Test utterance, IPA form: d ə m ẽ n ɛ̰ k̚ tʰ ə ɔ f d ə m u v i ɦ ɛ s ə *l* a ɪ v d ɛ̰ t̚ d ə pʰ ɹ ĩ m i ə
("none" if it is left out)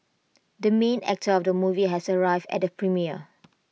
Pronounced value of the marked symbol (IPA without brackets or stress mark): ɹ